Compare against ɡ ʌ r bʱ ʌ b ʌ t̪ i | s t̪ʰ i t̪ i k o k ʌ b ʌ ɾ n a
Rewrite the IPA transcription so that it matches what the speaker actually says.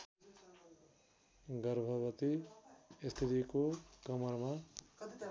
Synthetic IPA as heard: ɡ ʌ ɾ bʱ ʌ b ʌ t̪ i | s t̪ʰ i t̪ i k o k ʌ m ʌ ɾ m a